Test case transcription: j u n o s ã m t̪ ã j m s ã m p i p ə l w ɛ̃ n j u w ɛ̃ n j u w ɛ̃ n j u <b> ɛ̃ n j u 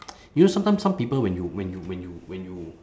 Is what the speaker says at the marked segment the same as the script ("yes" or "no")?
no